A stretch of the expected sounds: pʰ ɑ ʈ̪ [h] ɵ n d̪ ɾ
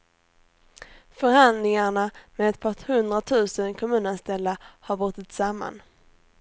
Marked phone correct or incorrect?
correct